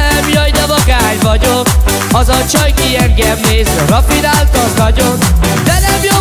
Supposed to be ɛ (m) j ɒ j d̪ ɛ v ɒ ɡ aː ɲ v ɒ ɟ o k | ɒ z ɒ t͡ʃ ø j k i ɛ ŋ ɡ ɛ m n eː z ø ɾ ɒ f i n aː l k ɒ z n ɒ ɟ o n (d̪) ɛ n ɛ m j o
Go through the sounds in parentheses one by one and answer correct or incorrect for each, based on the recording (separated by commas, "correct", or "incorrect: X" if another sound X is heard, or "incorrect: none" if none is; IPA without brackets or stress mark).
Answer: correct, correct